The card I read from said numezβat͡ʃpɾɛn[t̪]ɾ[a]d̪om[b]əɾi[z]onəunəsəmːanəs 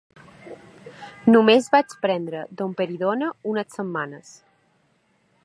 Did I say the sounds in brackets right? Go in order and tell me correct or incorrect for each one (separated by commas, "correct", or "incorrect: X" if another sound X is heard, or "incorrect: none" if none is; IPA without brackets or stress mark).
incorrect: d̪, incorrect: ə, incorrect: p, incorrect: ð